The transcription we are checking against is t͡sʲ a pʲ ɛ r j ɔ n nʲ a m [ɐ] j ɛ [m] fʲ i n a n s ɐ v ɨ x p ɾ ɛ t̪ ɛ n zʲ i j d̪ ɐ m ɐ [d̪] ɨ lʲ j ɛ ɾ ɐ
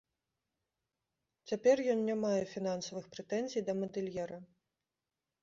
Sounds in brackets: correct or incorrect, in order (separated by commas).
incorrect, incorrect, correct